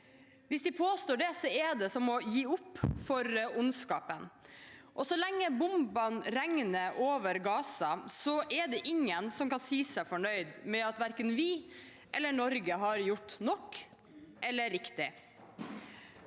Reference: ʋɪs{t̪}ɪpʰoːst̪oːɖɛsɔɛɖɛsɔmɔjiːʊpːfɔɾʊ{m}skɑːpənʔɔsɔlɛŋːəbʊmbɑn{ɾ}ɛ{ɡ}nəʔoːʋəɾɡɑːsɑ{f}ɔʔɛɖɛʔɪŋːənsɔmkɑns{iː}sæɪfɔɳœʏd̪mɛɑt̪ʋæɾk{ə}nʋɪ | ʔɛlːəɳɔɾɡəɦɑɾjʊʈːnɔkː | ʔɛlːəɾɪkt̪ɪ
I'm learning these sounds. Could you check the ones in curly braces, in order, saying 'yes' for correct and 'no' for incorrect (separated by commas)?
no, no, yes, no, no, yes, yes